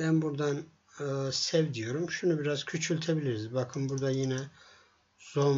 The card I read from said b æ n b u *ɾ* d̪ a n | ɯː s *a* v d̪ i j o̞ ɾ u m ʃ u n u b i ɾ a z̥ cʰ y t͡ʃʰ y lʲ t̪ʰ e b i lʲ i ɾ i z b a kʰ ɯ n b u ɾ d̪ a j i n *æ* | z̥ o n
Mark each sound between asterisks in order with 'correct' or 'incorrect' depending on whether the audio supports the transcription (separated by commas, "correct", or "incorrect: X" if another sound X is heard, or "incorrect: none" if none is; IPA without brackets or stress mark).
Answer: correct, incorrect: ɛ, incorrect: ɛ